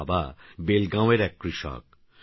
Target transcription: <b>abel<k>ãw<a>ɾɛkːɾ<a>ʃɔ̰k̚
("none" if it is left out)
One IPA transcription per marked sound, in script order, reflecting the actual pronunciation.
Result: b, ɡ, e, i

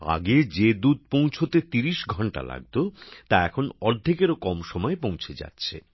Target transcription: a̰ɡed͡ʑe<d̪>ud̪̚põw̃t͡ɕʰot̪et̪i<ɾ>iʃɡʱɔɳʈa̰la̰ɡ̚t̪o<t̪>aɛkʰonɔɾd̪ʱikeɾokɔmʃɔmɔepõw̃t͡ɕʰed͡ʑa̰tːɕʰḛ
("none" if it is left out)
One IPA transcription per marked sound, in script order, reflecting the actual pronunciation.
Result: d̪, ɾ, t̪

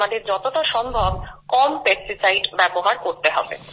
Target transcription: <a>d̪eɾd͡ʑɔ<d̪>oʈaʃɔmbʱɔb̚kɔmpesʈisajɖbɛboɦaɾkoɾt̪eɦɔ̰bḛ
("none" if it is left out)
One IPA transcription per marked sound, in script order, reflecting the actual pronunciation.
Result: a, t̪

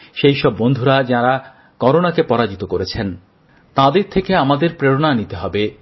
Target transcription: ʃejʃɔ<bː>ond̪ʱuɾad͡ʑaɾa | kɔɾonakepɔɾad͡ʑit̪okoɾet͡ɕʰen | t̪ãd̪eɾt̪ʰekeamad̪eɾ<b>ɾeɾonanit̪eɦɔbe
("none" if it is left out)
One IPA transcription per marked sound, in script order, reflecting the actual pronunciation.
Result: bː, p

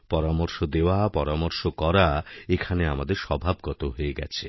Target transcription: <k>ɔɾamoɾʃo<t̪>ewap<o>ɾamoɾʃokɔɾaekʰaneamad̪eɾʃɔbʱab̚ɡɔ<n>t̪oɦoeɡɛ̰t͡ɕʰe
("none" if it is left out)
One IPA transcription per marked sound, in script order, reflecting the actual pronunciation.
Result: p, d̪, ɔ, none

